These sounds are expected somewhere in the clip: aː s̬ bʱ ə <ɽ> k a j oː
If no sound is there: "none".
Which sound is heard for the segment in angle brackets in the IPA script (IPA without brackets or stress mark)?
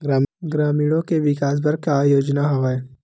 ɾ